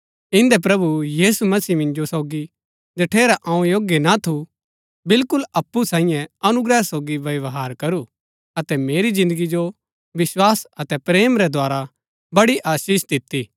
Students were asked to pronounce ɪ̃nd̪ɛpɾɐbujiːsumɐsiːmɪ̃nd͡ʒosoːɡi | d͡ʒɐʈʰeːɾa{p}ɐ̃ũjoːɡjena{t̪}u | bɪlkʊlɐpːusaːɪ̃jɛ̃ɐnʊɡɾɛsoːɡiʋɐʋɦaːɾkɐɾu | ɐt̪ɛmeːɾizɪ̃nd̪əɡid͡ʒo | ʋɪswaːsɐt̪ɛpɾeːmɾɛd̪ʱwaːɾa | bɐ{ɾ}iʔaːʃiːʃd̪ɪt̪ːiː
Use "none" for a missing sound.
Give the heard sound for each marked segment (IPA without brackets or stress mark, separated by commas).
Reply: ʔ, t̪ʰ, ɽ